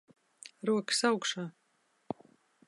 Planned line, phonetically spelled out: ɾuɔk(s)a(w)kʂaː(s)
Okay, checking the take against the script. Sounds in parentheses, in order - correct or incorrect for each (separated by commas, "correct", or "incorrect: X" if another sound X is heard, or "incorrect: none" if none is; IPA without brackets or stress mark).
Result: correct, correct, incorrect: none